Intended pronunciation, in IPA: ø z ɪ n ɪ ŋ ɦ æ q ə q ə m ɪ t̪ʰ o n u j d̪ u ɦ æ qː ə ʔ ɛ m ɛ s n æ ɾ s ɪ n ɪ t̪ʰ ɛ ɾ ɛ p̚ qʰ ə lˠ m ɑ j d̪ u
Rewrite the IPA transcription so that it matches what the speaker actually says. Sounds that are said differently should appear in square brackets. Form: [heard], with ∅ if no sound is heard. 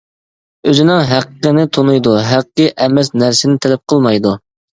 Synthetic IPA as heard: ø z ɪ n ɪ ŋ ɦ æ q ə q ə [n] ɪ t̪ʰ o n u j d̪ u ɦ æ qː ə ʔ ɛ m ɛ s n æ ɾ s ɪ n ɪ t̪ʰ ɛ [l] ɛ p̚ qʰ ə lˠ m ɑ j d̪ u